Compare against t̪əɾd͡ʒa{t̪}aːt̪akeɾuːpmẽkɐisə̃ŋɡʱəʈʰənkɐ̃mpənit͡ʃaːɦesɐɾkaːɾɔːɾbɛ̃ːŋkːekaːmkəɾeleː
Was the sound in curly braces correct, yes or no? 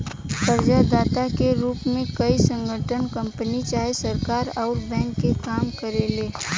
no